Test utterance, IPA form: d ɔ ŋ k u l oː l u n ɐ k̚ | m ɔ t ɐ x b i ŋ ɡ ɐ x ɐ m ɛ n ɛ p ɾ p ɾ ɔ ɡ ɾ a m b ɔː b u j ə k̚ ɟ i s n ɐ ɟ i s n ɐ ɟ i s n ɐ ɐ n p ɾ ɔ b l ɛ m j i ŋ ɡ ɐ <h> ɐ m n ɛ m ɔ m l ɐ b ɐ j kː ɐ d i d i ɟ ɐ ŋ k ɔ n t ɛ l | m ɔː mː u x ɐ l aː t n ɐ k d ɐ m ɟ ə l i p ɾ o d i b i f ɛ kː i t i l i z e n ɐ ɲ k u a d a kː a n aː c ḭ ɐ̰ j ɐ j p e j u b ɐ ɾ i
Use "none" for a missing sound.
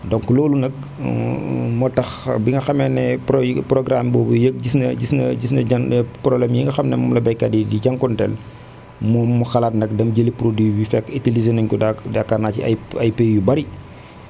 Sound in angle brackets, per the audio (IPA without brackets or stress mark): x